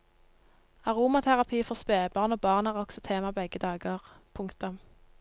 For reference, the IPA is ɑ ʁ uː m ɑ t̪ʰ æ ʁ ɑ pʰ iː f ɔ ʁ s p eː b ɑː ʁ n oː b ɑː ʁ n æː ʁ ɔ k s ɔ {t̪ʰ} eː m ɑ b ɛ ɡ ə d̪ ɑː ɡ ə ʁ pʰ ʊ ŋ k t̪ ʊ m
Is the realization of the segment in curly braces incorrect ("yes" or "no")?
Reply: no